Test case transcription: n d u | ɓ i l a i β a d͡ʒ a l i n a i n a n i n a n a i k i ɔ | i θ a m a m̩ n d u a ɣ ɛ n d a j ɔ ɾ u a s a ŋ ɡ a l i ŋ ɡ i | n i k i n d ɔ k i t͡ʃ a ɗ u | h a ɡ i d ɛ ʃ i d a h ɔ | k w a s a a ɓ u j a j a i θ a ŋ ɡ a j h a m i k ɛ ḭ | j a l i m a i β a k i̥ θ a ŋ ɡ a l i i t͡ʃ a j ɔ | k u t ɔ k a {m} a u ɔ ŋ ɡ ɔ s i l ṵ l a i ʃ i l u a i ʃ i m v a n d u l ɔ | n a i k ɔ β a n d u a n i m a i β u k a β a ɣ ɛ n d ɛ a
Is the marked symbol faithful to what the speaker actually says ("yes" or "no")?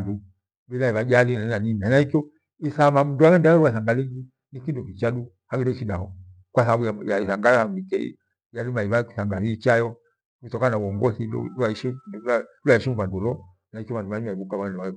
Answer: no